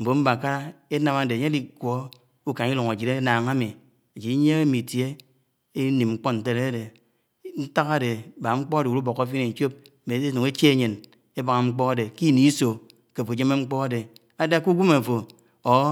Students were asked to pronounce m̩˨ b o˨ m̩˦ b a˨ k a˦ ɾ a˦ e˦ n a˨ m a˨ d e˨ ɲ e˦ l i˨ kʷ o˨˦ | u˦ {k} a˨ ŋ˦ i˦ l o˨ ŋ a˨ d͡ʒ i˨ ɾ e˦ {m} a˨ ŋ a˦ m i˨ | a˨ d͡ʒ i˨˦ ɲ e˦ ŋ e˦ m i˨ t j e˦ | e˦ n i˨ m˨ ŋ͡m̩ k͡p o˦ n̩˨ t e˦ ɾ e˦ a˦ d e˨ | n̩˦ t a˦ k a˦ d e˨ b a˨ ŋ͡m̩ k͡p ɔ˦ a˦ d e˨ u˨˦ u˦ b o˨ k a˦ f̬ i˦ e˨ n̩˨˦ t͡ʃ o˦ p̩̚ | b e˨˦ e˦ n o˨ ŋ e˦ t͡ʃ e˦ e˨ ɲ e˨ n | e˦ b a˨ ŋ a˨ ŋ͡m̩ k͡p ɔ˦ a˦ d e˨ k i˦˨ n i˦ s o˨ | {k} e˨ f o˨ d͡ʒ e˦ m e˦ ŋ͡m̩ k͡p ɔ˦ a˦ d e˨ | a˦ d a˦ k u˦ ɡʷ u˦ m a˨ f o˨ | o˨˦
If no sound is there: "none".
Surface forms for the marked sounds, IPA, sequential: k, n, k

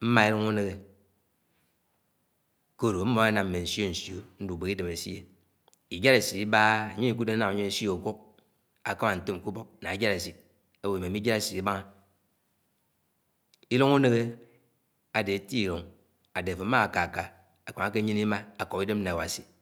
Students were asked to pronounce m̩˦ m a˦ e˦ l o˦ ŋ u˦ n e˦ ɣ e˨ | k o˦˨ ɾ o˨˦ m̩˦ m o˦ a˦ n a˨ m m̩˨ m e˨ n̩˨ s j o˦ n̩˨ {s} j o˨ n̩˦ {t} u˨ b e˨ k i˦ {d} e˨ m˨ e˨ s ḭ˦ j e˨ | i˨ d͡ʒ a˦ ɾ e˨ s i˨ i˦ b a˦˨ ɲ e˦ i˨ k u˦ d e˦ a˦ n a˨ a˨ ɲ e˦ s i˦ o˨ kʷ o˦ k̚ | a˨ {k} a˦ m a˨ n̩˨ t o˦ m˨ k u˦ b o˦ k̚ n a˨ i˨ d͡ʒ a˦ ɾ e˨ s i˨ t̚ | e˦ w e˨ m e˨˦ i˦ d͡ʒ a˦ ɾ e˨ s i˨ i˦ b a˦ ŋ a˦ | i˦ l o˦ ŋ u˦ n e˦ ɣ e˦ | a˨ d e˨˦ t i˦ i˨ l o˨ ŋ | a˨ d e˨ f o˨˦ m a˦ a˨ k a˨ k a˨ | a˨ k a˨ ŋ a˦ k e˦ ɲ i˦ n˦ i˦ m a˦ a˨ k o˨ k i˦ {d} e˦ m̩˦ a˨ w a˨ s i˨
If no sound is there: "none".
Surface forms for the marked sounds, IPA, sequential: s, d, d, k, d

